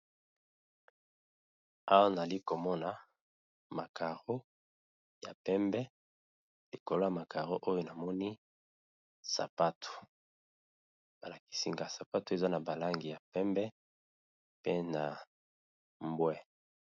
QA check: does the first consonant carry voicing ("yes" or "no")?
yes